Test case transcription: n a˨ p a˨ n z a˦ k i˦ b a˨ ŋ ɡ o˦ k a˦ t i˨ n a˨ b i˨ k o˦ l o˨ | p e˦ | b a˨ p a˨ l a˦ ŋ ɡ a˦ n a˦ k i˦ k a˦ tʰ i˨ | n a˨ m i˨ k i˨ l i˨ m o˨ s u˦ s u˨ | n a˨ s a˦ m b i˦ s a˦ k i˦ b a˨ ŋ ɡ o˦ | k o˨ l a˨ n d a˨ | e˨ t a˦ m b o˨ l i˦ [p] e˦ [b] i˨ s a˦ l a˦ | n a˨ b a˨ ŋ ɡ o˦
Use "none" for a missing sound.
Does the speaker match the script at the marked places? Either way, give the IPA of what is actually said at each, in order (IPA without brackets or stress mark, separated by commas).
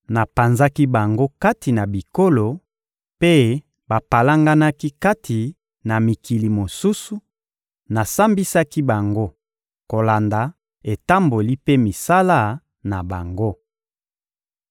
p, m